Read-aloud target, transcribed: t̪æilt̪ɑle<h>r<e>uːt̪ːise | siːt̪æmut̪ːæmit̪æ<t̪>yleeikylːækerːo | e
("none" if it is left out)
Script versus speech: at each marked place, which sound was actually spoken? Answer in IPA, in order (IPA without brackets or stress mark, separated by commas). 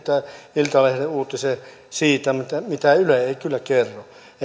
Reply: h, e, none